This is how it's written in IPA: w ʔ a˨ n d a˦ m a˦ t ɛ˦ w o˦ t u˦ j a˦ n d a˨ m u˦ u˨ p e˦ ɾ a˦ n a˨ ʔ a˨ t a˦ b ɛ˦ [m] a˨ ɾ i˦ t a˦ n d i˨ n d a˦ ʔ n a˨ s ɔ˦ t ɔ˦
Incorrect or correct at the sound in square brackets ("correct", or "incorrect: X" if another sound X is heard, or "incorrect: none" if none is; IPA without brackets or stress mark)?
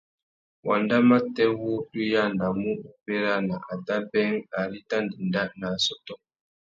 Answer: incorrect: ŋ